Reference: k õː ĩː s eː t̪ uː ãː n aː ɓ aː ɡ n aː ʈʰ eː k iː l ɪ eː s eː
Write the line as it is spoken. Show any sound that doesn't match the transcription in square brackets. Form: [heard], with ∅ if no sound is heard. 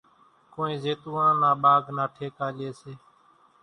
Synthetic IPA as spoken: k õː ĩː [z] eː t̪ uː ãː n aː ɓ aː ɡ n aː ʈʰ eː k [aː] l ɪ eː s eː